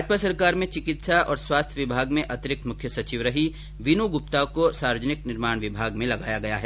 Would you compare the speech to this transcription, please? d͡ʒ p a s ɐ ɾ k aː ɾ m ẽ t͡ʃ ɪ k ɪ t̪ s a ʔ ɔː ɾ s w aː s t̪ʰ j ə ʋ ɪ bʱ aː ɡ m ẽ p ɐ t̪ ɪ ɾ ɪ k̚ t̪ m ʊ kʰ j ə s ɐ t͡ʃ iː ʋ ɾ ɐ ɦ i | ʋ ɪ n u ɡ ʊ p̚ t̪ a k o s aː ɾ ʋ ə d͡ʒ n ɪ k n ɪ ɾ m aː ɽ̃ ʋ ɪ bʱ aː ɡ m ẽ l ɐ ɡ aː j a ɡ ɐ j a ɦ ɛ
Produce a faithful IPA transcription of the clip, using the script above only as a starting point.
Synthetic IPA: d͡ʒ p a s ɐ ɾ k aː ɾ m ẽ t͡ʃ ɪ k ɪ t̪ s a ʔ ɔː ɾ s w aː s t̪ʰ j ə ʋ ɪ bʱ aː ɡ m ẽ ʔ ɐ t̪ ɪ ɾ ɪ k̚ t̪ m ʊ kʰ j ə s ɐ t͡ʃ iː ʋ ɾ ɐ ɦ i | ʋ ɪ n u ɡ ʊ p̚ t̪ a k o s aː ɾ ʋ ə d͡ʒ n ɪ k n ɪ ɾ m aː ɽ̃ ʋ ɪ bʱ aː ɡ m ẽ l ɐ ɡ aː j a ɡ ɐ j a ɦ ɛ